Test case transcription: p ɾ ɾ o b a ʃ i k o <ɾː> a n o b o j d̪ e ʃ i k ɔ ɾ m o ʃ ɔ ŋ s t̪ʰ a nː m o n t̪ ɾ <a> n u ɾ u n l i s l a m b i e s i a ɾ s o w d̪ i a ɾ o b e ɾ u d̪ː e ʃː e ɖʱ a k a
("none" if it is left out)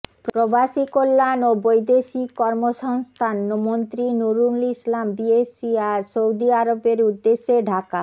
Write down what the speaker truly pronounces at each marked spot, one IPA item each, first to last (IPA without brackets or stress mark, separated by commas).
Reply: lː, i